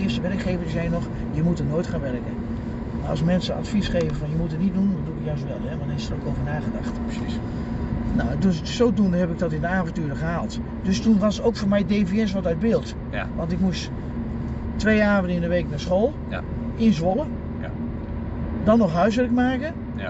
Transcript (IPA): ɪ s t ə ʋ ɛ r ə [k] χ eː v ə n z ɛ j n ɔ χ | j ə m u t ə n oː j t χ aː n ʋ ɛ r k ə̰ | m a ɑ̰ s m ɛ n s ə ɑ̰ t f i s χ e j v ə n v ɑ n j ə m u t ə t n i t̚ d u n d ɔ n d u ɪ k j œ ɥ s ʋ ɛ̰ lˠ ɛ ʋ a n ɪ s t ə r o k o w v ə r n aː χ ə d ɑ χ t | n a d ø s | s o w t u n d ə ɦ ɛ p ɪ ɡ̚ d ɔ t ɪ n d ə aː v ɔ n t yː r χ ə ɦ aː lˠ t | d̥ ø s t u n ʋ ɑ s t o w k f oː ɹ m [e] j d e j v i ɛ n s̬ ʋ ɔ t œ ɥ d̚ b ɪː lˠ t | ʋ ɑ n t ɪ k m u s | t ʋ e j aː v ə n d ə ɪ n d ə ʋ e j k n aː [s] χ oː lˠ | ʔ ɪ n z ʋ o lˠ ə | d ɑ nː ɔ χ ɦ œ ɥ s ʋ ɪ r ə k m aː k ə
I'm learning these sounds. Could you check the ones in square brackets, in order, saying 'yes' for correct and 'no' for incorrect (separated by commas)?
yes, no, yes